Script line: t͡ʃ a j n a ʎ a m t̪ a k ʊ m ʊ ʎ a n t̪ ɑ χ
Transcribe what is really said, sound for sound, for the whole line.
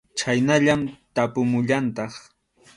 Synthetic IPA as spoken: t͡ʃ a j n a ʎ a m t̪ a p ʊ m ʊ ʎ a n t̪ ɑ χ